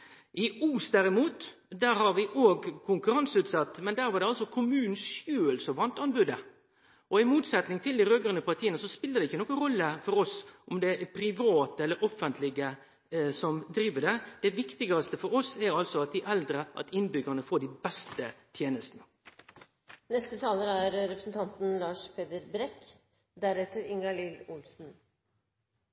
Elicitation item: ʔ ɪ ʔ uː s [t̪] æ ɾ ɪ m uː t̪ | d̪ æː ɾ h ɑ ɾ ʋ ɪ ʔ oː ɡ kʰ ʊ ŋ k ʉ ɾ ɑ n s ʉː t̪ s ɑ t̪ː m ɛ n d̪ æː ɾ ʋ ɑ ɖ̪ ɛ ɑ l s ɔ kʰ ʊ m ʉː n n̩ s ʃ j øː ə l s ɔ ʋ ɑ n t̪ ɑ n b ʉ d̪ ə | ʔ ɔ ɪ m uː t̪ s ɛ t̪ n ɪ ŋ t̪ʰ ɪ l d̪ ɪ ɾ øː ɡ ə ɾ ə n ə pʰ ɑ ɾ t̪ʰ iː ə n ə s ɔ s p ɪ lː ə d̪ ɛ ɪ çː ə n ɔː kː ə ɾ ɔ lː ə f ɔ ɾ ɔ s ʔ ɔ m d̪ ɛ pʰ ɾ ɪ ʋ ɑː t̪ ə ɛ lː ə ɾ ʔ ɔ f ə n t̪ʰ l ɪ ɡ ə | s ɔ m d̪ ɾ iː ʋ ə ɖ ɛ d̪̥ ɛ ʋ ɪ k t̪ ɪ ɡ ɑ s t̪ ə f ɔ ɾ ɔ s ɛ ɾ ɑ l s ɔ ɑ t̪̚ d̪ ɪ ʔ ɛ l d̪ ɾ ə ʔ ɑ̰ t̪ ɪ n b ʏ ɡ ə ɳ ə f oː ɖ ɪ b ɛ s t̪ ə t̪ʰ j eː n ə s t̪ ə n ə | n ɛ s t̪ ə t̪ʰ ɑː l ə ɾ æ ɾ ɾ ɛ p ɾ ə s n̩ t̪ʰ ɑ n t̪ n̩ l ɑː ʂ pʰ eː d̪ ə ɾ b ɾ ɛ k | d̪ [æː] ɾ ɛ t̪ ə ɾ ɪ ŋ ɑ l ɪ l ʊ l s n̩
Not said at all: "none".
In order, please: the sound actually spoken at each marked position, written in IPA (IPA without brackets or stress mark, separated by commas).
d̪, æ